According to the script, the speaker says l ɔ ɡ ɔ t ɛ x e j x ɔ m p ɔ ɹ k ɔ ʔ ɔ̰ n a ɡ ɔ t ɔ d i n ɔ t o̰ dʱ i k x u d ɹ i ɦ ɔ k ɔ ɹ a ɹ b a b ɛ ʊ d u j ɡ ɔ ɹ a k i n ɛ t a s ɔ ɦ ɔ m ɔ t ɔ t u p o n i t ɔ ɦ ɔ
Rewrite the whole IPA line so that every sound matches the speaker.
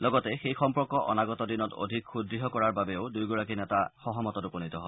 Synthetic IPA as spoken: l ɔ ɡ ɔ t ɛ x e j x ɔ m p ɔ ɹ k ɔ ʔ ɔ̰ n a ɡ ɔ t ɔ d i n ɔ t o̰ dʱ i k x u d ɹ i ɦ ɔ k ɔ ɹ a ɹ b a b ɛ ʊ d u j ɡ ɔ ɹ a k i n ɛ t a x ɔ ɦ ɔ m ɔ t ɔ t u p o n i t ɔ ɦ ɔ